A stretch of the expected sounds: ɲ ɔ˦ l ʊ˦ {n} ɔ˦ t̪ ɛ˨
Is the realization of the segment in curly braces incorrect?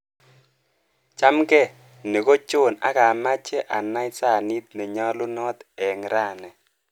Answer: no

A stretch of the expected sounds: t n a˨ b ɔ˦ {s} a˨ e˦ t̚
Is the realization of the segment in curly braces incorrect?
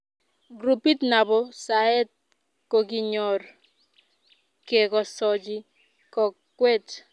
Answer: no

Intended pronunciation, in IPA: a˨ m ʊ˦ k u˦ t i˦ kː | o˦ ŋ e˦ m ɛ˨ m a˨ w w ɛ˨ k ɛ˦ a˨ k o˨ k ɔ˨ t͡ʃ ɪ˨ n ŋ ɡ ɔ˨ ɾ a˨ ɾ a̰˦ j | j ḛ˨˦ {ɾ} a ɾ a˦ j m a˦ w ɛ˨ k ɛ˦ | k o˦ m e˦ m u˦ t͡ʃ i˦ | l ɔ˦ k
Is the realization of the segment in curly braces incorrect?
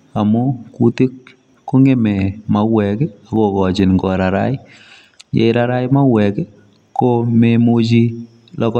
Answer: no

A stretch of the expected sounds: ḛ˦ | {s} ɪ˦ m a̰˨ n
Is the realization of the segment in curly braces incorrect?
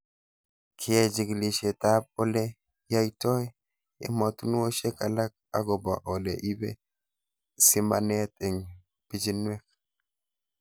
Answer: no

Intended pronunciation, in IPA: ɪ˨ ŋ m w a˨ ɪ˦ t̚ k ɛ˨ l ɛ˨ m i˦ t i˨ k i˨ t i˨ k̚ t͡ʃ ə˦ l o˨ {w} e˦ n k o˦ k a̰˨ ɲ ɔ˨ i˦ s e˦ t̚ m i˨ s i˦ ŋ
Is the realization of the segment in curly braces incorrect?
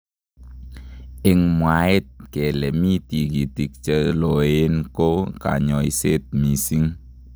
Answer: yes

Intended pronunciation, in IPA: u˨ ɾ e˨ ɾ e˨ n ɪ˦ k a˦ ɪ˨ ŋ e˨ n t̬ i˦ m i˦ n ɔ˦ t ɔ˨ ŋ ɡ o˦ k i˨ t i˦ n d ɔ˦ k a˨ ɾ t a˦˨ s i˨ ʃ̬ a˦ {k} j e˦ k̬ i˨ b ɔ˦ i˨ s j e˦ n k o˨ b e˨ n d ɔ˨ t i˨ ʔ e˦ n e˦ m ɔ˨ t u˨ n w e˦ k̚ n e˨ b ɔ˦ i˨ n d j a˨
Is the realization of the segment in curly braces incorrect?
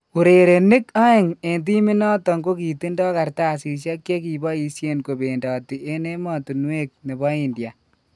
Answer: no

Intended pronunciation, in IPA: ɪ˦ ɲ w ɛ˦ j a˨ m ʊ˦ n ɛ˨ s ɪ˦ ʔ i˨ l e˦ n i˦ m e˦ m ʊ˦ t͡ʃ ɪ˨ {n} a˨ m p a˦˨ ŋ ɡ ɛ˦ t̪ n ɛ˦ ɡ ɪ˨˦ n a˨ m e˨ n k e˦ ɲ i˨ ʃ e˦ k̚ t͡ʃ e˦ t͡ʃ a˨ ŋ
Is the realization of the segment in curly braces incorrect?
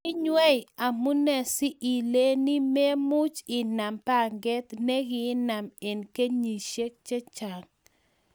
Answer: no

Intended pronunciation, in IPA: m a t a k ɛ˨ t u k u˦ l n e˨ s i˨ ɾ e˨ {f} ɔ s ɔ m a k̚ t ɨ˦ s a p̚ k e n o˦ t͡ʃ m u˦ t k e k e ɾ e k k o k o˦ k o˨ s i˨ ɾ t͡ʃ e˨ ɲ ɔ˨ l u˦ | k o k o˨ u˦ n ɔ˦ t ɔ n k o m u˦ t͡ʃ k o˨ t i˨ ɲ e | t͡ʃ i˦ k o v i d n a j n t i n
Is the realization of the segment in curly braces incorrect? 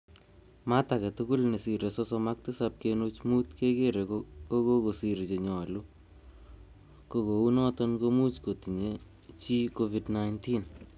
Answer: yes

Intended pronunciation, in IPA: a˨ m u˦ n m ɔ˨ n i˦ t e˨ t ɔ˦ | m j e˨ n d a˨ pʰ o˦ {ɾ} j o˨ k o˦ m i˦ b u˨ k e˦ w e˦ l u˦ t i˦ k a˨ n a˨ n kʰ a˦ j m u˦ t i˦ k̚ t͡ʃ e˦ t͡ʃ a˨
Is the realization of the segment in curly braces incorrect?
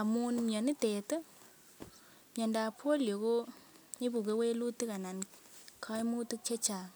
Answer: yes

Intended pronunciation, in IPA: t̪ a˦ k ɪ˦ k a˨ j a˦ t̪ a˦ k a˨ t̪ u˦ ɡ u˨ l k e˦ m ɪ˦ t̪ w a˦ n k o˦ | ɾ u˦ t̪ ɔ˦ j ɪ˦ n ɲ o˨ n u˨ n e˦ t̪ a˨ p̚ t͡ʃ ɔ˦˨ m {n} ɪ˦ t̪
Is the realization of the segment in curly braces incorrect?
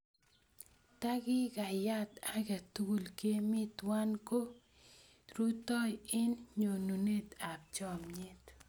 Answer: yes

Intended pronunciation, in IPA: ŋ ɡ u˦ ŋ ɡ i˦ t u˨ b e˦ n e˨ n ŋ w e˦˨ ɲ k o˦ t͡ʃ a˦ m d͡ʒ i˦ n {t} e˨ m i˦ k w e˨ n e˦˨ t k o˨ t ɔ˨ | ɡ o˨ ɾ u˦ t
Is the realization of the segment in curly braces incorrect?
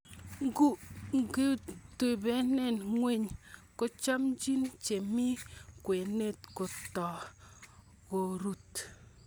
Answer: yes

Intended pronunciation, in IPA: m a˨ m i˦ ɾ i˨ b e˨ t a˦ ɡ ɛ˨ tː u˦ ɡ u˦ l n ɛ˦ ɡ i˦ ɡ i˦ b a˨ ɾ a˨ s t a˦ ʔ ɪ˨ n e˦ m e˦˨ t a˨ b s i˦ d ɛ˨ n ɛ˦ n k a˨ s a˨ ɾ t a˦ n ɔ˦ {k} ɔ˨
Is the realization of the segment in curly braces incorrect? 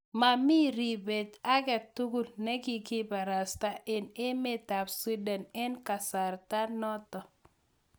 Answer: yes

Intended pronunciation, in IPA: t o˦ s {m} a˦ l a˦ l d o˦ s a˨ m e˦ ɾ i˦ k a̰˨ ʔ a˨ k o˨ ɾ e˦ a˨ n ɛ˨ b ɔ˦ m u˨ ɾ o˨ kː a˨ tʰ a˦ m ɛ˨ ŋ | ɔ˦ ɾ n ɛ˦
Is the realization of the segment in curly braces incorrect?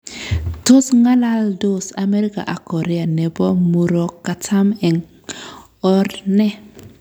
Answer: yes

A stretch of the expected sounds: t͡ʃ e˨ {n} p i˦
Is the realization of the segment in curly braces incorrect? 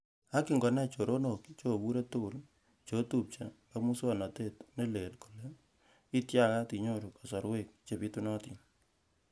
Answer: yes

